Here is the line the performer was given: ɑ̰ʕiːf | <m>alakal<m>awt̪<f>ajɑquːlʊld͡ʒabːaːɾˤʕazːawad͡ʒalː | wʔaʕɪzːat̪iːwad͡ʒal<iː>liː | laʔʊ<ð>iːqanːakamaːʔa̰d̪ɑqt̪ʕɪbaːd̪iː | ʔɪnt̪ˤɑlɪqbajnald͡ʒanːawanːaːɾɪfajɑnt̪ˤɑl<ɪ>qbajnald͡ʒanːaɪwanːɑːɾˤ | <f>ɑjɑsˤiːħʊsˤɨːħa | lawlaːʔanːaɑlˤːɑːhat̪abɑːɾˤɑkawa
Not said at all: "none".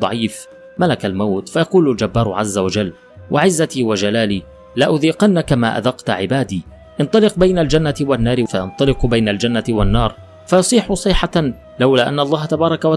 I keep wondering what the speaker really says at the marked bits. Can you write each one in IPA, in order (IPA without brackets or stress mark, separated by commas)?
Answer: m, m, f, aː, ð, ɪ, f